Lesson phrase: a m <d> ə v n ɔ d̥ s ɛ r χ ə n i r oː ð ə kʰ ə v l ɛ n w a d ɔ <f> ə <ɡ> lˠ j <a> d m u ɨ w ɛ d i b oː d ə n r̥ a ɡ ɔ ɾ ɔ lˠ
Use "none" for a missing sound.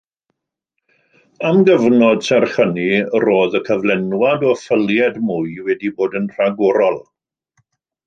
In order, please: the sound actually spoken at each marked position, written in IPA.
ɡ, f, none, ɛ

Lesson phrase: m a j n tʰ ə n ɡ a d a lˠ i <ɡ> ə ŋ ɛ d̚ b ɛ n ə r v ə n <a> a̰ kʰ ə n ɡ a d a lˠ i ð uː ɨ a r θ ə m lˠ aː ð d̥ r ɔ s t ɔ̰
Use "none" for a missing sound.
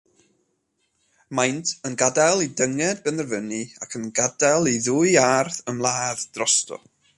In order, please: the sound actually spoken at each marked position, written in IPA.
d, i

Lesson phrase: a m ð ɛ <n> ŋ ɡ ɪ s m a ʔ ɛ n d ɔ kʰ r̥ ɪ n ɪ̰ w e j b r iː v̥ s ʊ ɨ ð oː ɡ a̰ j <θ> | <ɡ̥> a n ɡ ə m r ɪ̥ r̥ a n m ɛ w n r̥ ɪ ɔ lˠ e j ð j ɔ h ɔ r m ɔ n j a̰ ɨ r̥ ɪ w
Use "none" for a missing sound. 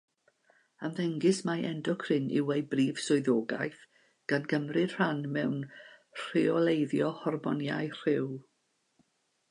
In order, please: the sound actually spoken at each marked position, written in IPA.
none, θ, ɡ̥

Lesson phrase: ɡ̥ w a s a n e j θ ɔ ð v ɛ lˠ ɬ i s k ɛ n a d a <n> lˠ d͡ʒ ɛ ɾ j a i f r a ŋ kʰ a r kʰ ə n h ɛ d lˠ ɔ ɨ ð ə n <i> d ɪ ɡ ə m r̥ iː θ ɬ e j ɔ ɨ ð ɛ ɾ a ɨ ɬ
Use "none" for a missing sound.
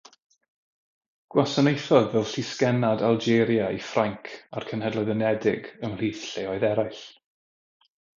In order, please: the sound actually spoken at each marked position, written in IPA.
none, ɛ

